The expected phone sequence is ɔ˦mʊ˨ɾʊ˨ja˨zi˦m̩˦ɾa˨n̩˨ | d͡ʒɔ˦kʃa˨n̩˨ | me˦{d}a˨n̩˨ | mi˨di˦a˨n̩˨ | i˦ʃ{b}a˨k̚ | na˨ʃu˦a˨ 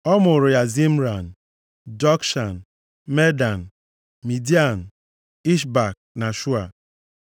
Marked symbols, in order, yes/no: yes, yes

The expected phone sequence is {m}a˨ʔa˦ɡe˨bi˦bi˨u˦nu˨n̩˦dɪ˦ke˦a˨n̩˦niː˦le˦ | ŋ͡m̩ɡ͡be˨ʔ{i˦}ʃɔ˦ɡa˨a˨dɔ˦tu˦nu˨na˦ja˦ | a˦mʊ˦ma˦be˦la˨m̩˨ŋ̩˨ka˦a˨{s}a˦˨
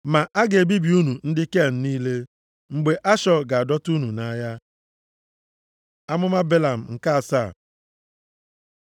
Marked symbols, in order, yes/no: yes, no, yes

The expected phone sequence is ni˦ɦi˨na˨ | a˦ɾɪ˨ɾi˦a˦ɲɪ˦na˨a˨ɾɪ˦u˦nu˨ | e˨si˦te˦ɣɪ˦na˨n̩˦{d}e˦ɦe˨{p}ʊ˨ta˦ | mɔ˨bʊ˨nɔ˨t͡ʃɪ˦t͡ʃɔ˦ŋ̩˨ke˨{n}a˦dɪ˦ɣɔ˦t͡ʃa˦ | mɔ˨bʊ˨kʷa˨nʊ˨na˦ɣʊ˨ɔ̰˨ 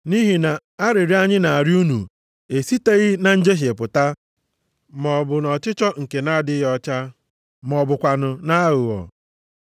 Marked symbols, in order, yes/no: no, yes, yes

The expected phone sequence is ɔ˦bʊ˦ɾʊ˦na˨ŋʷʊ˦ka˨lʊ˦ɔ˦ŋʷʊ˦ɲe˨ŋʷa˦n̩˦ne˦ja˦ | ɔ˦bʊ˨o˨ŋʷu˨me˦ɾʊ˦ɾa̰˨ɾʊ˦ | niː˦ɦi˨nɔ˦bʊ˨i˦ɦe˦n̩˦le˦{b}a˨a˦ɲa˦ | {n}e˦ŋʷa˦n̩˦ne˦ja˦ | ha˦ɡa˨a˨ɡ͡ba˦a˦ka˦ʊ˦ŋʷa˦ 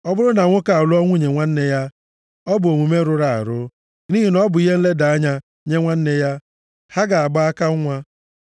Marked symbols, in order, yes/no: no, no

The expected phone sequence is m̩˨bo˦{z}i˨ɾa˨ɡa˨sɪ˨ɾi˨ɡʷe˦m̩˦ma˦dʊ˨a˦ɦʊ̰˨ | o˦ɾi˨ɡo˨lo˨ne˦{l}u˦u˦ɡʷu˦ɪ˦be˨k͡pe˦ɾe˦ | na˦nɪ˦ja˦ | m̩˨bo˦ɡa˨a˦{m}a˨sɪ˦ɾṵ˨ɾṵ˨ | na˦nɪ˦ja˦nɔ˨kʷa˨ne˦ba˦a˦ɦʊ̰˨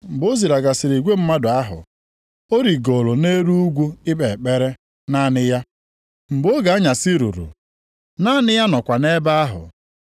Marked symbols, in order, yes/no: yes, no, no

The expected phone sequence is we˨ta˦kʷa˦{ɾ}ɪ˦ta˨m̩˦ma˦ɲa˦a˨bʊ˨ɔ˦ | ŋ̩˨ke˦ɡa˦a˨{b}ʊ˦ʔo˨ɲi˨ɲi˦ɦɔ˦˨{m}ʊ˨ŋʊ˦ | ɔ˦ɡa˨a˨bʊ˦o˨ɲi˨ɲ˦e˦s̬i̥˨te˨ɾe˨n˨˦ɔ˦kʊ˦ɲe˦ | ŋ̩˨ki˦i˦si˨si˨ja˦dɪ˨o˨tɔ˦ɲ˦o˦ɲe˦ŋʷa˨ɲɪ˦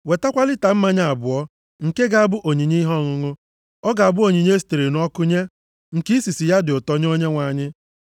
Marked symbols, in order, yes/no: no, yes, no

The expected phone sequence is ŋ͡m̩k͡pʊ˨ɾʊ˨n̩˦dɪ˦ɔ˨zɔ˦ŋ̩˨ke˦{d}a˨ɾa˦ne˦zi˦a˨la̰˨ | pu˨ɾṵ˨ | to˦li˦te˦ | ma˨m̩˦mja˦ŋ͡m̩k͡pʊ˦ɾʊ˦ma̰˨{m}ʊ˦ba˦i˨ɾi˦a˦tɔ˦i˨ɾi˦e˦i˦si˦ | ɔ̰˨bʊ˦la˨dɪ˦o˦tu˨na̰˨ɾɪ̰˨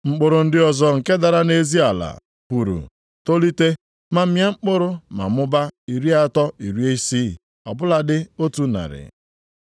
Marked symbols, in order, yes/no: yes, yes

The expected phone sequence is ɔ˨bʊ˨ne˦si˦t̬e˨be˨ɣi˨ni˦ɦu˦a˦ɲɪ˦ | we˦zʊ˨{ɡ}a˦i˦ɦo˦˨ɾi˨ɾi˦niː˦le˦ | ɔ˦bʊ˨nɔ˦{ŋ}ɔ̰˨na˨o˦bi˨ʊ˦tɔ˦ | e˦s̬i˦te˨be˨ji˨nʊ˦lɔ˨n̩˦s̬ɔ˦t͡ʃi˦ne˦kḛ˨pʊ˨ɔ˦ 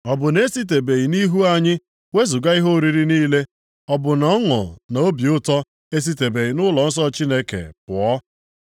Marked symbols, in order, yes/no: yes, yes

